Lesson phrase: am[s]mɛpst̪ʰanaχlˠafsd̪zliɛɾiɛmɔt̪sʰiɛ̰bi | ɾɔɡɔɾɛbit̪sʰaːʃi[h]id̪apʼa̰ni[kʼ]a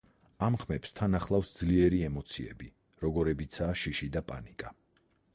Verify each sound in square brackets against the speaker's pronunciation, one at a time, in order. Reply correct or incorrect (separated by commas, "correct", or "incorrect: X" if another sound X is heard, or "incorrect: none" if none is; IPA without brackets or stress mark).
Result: incorrect: χ, incorrect: ʃ, correct